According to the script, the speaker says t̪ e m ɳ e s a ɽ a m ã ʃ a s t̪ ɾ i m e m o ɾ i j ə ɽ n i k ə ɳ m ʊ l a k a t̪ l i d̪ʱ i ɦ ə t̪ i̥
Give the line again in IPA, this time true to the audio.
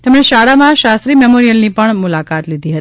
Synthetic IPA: t̪ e m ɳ e ʃ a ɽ a m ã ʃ a s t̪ ɾ i m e m o ɾ i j ə l n i p ə ɳ m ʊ l a k a t̪ l i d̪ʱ i ɦ ə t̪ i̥